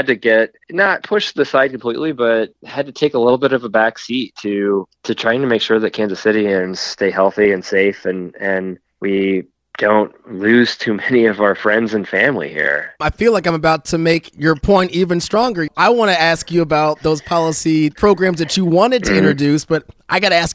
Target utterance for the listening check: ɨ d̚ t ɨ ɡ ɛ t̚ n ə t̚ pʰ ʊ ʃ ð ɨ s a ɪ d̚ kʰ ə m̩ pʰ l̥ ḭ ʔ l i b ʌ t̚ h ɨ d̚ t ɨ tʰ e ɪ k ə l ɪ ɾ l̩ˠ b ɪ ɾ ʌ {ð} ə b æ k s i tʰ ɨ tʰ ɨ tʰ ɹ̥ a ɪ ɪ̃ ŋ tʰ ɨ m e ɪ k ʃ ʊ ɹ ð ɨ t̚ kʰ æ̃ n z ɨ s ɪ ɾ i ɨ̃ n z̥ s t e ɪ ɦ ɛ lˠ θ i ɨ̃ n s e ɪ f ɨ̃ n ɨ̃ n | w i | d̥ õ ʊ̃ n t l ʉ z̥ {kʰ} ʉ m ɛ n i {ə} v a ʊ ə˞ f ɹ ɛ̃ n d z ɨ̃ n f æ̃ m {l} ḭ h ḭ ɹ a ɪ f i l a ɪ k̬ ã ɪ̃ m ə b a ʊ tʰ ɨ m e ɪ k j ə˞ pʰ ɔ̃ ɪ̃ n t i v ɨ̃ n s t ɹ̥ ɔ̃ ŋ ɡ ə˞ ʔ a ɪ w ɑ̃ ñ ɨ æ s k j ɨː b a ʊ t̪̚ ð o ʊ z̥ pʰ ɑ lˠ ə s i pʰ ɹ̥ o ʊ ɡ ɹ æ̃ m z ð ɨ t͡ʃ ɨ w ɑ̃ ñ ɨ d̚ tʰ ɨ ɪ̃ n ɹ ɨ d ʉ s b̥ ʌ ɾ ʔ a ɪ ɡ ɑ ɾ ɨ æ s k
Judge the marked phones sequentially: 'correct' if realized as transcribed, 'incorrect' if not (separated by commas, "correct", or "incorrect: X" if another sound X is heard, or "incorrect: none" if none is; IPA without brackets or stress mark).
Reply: incorrect: v, incorrect: tʰ, incorrect: ʌ, correct